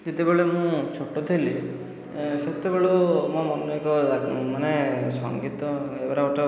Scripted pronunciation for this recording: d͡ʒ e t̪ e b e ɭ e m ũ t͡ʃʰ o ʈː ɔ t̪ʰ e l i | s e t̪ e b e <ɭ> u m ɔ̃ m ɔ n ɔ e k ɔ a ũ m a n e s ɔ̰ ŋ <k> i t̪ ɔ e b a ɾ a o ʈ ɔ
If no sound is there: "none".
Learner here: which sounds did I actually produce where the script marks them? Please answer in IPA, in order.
ɭ, ɡ

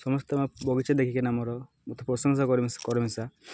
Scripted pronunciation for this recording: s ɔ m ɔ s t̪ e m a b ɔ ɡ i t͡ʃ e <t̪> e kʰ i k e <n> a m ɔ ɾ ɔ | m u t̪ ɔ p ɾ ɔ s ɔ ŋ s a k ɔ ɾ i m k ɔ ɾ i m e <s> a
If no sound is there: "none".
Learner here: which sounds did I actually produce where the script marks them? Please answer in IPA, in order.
d̪, n, s

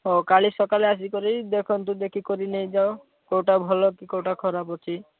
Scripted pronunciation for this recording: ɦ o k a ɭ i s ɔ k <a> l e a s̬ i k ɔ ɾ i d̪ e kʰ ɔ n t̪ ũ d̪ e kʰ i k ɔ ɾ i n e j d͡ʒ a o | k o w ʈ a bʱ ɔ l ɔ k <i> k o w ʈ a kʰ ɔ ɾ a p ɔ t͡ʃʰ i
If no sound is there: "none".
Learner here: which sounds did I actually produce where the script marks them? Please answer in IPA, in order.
a, i

